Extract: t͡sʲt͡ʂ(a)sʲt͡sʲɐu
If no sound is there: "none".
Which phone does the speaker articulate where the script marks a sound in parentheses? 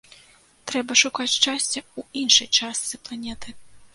a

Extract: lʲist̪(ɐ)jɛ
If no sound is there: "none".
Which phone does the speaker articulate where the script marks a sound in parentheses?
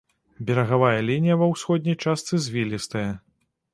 ɐ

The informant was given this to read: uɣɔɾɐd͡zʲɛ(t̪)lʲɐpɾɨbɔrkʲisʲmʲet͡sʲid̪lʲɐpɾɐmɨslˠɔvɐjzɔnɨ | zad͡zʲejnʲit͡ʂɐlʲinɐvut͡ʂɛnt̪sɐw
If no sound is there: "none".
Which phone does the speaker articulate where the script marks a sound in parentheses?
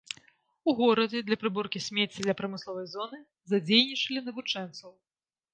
d̪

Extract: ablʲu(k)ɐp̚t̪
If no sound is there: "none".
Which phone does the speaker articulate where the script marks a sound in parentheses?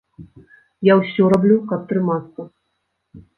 k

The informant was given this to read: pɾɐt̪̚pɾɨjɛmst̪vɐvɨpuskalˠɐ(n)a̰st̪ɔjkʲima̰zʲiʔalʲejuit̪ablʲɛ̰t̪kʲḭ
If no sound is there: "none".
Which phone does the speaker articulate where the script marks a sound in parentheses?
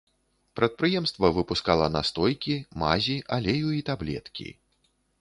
n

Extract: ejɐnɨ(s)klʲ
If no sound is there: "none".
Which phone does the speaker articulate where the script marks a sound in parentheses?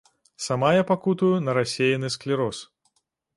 s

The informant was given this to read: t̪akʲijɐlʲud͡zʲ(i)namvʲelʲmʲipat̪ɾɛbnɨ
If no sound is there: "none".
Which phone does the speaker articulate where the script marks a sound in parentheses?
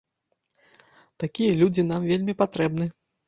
i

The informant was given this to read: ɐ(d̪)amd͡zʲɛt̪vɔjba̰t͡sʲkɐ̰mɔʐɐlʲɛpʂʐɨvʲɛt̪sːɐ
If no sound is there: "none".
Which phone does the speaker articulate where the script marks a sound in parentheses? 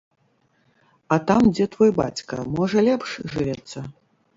t̪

